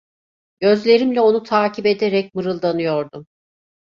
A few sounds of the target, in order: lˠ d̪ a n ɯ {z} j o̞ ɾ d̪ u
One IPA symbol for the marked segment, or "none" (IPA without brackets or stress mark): none